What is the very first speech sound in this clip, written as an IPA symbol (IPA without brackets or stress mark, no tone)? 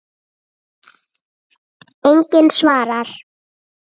e